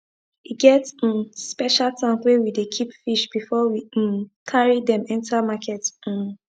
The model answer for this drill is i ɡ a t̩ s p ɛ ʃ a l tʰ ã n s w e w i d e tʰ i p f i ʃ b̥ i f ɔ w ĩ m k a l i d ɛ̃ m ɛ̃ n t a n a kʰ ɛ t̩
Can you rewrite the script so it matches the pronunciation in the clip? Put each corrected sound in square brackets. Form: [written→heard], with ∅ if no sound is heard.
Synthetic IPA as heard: i ɡ [a→ɛ] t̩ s p ɛ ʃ a l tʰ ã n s w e w i d e [tʰ→kʰ] i p f i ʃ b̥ i f ɔ w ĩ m [k→kʰ] a [l→ɹ] i d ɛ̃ m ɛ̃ n t a [n→m] a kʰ ɛ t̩